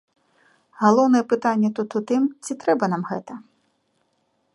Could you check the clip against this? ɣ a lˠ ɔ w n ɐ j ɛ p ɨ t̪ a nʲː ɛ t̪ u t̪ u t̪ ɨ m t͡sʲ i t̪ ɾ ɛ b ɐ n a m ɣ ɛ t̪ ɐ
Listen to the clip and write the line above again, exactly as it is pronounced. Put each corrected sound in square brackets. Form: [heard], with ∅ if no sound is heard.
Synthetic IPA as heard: ɣ a lˠ ɔ w n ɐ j ɛ p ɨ t̪ a nʲː ɛ t̪ u t̪ u t̪ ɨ m t͡sʲ i t̪ ɾ ɛ b ɐ n a m ɣ ɛ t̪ ɐ

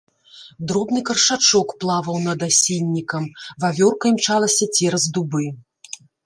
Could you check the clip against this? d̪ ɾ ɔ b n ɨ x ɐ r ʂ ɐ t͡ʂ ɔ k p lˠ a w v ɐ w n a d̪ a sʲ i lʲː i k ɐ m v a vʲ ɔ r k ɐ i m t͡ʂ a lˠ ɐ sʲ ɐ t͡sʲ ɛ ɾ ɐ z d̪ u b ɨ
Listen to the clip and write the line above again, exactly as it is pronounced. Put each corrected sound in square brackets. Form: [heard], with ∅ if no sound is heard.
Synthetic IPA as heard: d̪ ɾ ɔ b n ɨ [k] ɐ r ʂ [a] t͡ʂ ɔ k p lˠ a [∅] v ɐ w n [ɐ] d̪ a sʲ i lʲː i k ɐ m v a vʲ ɔ r k ɐ i m t͡ʂ a lˠ ɐ sʲ ɐ t͡sʲ ɛ ɾ ɐ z d̪ u b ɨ

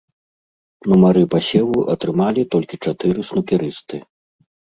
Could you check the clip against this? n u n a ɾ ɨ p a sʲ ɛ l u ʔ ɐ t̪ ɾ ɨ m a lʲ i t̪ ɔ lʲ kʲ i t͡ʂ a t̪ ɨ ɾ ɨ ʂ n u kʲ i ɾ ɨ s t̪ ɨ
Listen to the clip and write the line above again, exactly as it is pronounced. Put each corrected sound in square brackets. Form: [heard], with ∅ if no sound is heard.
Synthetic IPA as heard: n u [m] a ɾ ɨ p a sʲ ɛ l u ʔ ɐ t̪ ɾ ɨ m a lʲ i t̪ ɔ lʲ kʲ i t͡ʂ a t̪ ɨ ɾ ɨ [s] n u kʲ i ɾ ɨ s t̪ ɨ

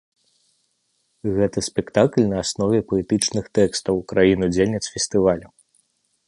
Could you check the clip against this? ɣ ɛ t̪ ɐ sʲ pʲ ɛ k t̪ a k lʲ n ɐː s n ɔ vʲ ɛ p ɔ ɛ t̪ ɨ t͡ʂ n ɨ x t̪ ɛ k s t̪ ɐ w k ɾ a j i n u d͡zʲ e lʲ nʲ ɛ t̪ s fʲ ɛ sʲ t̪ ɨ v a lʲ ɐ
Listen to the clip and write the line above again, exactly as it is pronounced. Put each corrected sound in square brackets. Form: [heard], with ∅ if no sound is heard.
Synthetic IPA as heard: ɣ ɛ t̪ ɐ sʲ pʲ ɛ k t̪ a k lʲ n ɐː s n ɔ vʲ ɛ p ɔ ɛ t̪ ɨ t͡ʂ n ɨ x t̪ ɛ k s t̪ ɐ w k ɾ a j i n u d͡zʲ e lʲ nʲ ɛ t̪ s fʲ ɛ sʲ t̪ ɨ v a lʲ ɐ

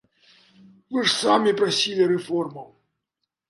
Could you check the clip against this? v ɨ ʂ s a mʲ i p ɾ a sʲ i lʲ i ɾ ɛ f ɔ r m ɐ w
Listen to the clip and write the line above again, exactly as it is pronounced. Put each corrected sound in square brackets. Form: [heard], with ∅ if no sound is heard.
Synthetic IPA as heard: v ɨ ʂ s a mʲ i p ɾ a sʲ i lʲ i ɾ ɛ f ɔ r m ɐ w

